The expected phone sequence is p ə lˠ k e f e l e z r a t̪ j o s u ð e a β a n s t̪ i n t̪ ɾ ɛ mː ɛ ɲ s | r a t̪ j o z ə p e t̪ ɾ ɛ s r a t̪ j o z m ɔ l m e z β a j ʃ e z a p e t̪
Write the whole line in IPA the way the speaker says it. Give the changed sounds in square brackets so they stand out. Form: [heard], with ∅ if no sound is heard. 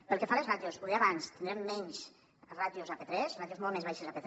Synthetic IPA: p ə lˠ k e f [a] l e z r a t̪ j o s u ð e a β a n s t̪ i n [d̪] ɾ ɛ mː ɛ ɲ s | r a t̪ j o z [a] p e t̪ ɾ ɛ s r a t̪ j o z m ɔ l m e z β a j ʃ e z a p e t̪